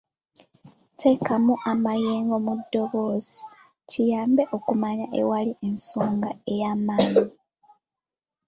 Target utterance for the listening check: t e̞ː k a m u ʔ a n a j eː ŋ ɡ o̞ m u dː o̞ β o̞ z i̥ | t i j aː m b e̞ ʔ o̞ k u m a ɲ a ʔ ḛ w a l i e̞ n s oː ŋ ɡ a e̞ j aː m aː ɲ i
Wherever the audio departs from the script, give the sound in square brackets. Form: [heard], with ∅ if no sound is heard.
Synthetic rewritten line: t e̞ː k a m u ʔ a [m] a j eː ŋ ɡ o̞ m u dː o̞ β o̞ z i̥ | [c] i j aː m b e̞ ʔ o̞ k u m a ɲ a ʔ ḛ w a l i e̞ n s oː ŋ ɡ a e̞ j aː m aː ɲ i

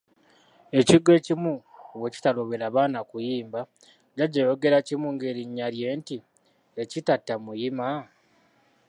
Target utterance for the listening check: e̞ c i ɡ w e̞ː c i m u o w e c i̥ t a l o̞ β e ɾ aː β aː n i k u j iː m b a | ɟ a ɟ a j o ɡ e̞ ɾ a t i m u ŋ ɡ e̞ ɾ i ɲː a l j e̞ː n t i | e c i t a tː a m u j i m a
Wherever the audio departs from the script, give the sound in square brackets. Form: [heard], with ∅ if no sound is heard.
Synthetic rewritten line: e̞ c i ɡ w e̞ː c i m u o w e c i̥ t a l o̞ β e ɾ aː β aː n [a] k u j iː m b a | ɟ a ɟ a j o ɡ e̞ ɾ a [c] i m u ŋ ɡ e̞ ɾ i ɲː a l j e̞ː n t i | e c i t a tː a m u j i m a

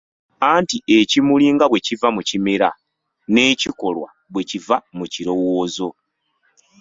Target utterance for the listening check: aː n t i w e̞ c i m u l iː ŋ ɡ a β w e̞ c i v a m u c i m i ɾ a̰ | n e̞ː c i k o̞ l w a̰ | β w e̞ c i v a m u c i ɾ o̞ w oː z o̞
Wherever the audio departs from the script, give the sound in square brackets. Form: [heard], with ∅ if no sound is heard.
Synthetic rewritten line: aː n t i [∅] e̞ c i m u l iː ŋ ɡ a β w e̞ c i v a m u c i m i ɾ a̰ | n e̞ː c i k o̞ l w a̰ | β w e̞ c i v a m u c i ɾ o̞ w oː z o̞

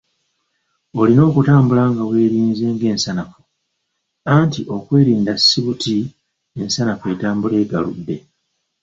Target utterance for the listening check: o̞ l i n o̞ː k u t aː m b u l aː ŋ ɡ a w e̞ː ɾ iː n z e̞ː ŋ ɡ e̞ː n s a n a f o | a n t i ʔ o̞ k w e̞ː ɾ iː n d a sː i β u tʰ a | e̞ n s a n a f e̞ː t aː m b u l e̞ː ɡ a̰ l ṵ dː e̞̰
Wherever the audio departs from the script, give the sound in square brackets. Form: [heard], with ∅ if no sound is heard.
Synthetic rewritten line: o̞ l i n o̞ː k u t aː m b u l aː ŋ ɡ a w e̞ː ɾ iː n z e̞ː ŋ ɡ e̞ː n s a n a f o | a n t i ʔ o̞ k w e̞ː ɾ iː n d a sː i β u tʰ [i] | e̞ n s a n a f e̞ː t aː m b u l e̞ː ɡ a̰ l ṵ dː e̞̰

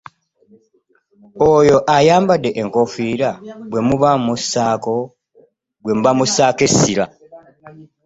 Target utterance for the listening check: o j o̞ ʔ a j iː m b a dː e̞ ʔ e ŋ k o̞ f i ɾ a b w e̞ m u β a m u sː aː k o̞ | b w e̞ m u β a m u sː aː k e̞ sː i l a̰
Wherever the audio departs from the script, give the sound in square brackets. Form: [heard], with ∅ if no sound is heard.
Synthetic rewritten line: o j o̞ ʔ a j [aː] m b a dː e̞ ʔ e ŋ k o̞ f i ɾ a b w e̞ m u β a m u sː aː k o̞ | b w e̞ m u β a m u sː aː k e̞ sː i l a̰

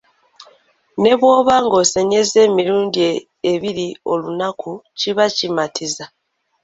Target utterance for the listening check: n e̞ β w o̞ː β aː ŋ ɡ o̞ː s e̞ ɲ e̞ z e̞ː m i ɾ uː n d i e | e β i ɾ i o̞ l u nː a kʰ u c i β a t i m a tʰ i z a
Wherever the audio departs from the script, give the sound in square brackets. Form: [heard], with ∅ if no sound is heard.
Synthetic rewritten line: n e̞ β w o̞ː β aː ŋ ɡ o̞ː s e̞ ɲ e̞ z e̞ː m i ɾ uː n d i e | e β i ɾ i o̞ l u [n] a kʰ u c i β a [c] i m a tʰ i z a

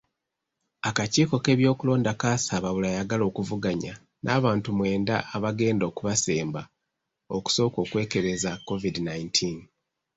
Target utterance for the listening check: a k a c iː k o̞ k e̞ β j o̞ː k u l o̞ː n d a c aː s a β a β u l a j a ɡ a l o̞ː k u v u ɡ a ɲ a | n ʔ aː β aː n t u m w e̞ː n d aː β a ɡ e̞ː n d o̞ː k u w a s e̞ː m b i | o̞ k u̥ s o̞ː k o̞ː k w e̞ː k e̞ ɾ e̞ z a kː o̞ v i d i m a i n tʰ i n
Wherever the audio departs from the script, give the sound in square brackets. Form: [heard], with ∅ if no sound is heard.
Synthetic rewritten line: a k a c iː k o̞ k e̞ β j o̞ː k u l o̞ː n d a [k] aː s a β a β u l a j a ɡ a l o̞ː k u v u ɡ a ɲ a | n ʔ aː β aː n t u m w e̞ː n d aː β a ɡ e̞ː n d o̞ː k u [β] a s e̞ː m b [a] | o̞ k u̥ s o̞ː k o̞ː k w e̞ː k e̞ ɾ e̞ z a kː o̞ v i d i [n] a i n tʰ i n

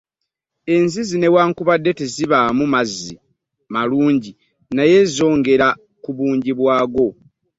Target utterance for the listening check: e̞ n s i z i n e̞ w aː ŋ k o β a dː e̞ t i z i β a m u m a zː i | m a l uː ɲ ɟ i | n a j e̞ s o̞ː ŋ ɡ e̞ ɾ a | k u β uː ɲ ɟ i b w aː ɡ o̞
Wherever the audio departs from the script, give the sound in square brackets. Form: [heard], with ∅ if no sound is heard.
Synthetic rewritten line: e̞ n [z] i z i n e̞ w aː ŋ k [u] β a dː e̞ t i z i β a m u m a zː i | m a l uː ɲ ɟ i | n a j e̞ [z] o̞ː ŋ ɡ e̞ ɾ a | k u β uː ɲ ɟ i [β] w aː ɡ o̞

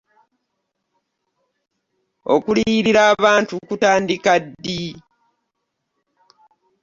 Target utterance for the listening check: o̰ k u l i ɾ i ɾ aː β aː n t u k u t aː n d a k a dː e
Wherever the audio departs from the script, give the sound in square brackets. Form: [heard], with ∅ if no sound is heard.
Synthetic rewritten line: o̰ k u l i ɾ i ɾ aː β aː n t u k u t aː n d [i] k a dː [i]

